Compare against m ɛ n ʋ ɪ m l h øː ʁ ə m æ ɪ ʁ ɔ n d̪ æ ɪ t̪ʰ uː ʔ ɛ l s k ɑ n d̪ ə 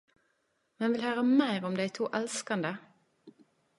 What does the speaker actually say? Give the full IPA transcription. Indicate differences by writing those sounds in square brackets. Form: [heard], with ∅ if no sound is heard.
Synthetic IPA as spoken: m ɛ n ʋ ɪ [∅] l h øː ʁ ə m æ ɪ ʁ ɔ [m] d̪ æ ɪ t̪ʰ uː ʔ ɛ l s k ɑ n d̪ ə